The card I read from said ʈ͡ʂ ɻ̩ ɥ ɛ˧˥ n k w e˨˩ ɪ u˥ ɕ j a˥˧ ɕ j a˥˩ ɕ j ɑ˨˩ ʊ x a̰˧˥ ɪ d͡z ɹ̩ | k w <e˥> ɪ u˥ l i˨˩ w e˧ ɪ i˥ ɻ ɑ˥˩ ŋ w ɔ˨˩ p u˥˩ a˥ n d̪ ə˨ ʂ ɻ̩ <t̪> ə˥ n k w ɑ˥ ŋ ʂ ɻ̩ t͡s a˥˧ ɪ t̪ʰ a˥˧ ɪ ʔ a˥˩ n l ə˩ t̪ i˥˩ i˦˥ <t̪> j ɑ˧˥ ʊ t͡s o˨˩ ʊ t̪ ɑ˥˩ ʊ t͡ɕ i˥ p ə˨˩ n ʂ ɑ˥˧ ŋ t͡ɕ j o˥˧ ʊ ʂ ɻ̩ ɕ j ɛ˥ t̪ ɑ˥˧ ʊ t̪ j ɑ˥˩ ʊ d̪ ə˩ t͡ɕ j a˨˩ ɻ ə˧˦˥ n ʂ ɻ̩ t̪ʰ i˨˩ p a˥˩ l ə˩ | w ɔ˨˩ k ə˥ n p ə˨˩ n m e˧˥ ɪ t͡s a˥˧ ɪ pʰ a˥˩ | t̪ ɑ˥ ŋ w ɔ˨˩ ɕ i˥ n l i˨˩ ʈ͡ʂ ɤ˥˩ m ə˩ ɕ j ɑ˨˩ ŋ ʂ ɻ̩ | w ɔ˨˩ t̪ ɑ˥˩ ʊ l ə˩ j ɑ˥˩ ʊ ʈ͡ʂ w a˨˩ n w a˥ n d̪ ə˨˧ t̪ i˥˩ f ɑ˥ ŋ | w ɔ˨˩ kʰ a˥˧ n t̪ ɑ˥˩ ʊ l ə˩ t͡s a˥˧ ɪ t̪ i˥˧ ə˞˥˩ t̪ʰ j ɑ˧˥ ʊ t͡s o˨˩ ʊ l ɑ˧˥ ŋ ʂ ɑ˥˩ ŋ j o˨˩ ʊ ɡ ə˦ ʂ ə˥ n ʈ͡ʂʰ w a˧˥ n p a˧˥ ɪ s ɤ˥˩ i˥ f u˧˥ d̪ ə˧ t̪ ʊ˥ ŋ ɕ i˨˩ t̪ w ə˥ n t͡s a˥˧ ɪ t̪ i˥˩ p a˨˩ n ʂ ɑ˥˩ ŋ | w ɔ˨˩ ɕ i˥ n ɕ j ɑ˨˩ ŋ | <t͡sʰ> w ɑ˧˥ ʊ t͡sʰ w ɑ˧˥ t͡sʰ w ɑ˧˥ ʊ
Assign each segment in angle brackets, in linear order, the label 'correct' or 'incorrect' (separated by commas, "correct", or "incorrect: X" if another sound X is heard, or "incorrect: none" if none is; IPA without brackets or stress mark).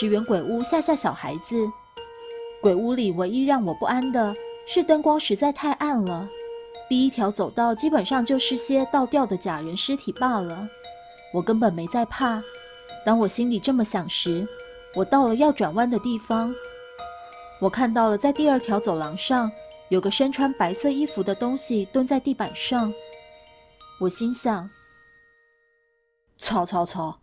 incorrect: e˨˩, correct, incorrect: t̪ʰ, correct